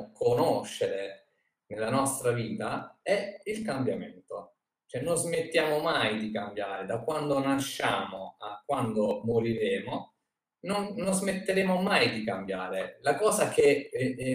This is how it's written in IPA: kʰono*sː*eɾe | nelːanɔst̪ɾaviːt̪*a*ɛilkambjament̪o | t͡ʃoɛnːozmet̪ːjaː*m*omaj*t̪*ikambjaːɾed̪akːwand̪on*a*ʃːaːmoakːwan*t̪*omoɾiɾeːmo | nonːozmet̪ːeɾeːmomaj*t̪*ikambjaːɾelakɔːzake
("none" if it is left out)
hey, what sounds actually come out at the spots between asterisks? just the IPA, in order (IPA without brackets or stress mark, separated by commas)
ʃː, a, m, d̪, a, d̪, d̪